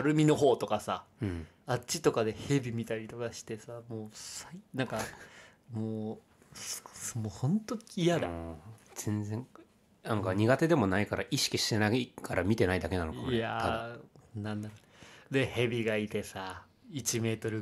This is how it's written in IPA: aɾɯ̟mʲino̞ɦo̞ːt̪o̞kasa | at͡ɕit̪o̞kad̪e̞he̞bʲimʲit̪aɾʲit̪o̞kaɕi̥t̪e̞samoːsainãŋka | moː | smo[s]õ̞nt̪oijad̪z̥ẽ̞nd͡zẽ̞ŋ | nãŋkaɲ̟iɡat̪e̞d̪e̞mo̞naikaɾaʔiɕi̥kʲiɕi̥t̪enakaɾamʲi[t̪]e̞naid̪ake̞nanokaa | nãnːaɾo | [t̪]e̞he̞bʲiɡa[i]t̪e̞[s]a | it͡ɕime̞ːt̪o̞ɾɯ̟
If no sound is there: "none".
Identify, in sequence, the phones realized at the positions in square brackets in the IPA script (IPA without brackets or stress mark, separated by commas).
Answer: h, t̪, d̪, i, s